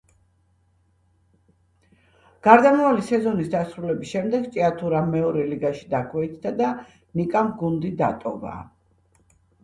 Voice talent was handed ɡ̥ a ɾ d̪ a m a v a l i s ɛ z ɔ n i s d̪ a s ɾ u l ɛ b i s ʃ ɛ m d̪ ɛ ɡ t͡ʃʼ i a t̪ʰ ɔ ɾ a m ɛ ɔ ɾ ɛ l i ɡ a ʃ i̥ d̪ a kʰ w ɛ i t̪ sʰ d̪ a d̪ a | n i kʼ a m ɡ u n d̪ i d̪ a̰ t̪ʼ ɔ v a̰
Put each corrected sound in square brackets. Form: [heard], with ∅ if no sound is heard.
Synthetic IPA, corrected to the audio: ɡ̥ a ɾ d̪ a m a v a l i s ɛ z ɔ n i s d̪ a s ɾ u l ɛ b i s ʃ ɛ m d̪ ɛ ɡ t͡ʃʼ i a t̪ʰ [u] ɾ a m ɛ ɔ ɾ ɛ l i ɡ a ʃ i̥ d̪ a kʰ w ɛ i t̪ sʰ d̪ a d̪ a | n i kʼ a m ɡ u n d̪ i d̪ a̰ t̪ʼ ɔ v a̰